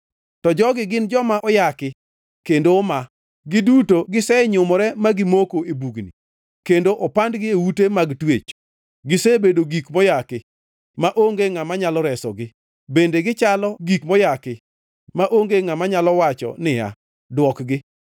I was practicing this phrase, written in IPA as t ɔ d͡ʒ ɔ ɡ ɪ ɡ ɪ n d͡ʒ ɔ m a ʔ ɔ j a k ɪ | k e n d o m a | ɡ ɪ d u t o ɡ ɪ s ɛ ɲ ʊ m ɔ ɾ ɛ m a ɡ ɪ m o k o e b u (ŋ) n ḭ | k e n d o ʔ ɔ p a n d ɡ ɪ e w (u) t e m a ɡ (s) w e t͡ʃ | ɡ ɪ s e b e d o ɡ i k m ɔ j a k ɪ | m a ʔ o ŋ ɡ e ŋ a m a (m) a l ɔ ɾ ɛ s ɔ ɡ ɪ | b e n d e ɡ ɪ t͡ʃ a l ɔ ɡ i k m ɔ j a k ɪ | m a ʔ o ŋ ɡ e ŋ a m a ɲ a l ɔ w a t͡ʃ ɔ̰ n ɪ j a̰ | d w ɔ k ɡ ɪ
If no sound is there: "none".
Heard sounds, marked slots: ɡ, u, t, ɲ

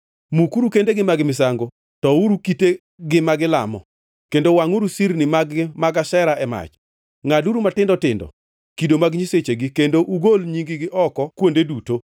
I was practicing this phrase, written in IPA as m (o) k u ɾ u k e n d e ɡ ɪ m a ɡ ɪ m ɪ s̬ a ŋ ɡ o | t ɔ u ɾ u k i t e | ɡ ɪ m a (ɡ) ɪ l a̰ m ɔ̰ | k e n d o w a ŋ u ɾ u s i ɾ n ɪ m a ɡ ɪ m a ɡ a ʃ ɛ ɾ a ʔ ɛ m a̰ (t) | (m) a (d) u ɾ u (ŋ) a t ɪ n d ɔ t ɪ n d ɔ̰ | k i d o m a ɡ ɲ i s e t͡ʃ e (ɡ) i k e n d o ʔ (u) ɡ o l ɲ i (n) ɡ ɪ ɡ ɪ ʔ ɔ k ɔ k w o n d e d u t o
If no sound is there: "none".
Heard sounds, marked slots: u, ɡ, t͡ʃ, ŋ, d, m, ɡ, u, ŋ

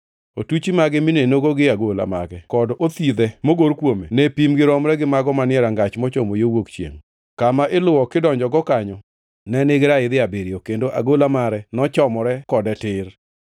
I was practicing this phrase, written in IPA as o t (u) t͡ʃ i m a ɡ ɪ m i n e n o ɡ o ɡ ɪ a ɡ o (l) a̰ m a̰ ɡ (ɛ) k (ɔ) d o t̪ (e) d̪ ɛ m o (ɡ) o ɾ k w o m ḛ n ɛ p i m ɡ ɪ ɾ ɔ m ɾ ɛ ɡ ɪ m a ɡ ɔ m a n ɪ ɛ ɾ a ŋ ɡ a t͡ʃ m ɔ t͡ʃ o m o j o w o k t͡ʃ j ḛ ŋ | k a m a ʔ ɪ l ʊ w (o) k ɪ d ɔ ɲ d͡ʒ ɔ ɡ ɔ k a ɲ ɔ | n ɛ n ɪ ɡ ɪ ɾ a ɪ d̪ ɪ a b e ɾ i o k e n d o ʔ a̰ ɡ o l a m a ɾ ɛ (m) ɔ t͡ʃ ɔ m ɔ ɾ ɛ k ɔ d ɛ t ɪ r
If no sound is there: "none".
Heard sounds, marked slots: u, l, ɛ, ɔ, i, ɡ, ɔ, n

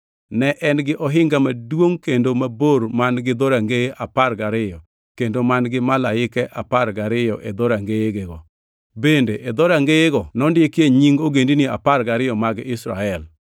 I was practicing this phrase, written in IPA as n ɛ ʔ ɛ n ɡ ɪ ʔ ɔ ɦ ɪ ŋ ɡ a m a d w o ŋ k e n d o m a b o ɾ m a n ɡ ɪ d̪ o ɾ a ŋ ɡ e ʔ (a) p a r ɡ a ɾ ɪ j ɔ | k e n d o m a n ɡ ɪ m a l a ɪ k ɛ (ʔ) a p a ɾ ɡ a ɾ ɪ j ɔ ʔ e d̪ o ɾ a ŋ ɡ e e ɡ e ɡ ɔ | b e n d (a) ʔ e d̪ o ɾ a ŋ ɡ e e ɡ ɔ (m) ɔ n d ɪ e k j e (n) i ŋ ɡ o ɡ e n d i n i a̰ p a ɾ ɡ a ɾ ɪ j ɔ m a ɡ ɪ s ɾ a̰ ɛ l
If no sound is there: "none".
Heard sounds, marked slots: a, ʔ, e, n, ɲ

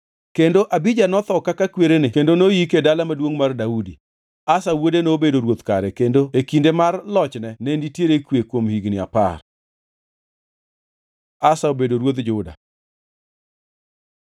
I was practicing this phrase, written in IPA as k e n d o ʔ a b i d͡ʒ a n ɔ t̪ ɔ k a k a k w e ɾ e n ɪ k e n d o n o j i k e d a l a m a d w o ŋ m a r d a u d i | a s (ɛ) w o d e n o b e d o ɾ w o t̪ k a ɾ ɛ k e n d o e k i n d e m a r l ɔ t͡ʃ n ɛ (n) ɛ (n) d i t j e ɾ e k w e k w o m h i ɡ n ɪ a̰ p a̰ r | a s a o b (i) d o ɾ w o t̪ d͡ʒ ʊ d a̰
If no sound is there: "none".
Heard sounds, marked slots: a, n, n, e

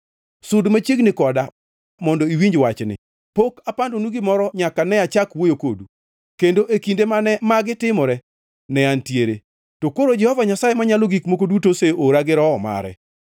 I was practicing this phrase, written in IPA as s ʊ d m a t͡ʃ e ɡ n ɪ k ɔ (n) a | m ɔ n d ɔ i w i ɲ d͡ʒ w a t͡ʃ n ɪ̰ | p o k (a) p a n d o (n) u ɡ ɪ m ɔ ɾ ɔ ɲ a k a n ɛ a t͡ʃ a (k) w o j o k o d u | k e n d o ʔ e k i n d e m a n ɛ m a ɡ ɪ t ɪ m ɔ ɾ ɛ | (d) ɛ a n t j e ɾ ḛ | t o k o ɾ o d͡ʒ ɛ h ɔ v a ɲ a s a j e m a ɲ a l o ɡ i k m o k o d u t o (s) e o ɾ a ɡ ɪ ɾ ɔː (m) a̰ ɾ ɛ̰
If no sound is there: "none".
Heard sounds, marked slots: d, a, n, k, n, s, m

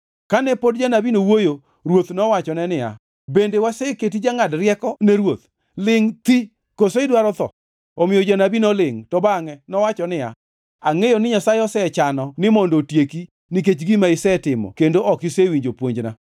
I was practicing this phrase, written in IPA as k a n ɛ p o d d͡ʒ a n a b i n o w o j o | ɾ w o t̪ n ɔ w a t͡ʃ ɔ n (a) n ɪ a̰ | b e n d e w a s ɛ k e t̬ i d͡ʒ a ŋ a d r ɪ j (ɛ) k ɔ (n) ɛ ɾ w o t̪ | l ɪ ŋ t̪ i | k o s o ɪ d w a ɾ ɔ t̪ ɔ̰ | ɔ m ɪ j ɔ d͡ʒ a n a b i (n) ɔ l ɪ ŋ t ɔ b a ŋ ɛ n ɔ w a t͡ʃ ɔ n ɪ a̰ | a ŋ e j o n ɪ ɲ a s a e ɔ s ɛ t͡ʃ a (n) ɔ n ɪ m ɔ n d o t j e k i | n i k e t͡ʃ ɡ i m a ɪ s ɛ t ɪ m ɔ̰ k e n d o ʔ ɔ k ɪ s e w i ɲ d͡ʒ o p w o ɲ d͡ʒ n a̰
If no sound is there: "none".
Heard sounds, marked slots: ɛ, ɛ, n, n, n

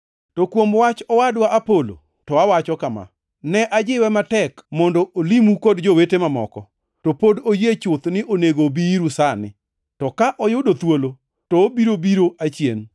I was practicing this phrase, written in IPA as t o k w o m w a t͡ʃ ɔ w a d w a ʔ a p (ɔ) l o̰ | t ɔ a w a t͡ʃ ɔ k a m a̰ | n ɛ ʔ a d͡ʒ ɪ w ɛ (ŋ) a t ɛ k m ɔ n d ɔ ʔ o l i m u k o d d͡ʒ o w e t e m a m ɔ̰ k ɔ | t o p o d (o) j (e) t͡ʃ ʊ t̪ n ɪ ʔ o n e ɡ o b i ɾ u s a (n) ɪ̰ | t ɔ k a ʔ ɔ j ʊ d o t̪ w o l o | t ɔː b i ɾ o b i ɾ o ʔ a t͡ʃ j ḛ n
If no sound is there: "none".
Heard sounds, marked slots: o, m, o, e, n

